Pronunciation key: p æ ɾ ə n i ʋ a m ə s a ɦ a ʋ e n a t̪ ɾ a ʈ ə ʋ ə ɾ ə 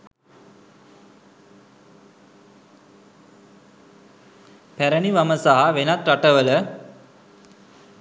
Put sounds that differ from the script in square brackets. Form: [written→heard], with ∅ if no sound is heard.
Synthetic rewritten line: p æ ɾ ə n i ʋ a m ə s a ɦ a ʋ e n a t̪ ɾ a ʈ ə ʋ ə [ɾ→l] ə

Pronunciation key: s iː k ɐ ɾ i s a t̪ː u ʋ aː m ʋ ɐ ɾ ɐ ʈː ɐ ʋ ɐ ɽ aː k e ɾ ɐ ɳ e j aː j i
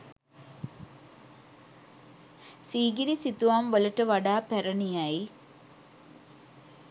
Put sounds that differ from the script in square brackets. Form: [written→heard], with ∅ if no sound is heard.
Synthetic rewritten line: s iː [k→ɡ] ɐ ɾ i s [a→i] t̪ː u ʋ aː m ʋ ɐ [ɾ→l] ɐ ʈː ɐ ʋ ɐ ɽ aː [k→p] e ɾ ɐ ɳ [e→i] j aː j i

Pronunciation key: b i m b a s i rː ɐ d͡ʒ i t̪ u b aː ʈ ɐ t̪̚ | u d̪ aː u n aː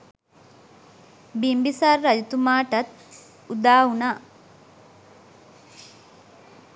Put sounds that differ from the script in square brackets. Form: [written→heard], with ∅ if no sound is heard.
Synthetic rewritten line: b i m b [a→i] s [i→a] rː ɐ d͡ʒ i t̪ u [b→m] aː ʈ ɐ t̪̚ | u d̪ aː u n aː

